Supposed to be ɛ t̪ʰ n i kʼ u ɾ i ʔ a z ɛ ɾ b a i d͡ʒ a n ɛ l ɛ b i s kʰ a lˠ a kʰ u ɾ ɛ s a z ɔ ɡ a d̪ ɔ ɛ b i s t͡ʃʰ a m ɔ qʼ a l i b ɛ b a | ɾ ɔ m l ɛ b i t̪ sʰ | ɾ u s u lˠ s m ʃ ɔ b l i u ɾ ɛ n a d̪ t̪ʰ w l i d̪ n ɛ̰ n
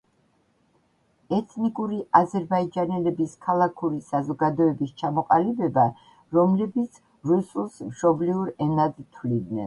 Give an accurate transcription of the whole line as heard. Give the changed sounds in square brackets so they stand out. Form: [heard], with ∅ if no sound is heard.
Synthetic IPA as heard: ɛ t̪ʰ n i kʼ u ɾ i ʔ a z ɛ ɾ b a i d͡ʒ a n ɛ l ɛ b i s kʰ a lˠ a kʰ u ɾ [i] s a z ɔ ɡ a d̪ ɔ ɛ b i s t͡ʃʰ a m ɔ qʼ a l i b ɛ b a | ɾ ɔ m l ɛ b i t̪ sʰ | ɾ u s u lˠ s m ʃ ɔ b l i u ɾ ɛ n a d̪ t̪ʰ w l i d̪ n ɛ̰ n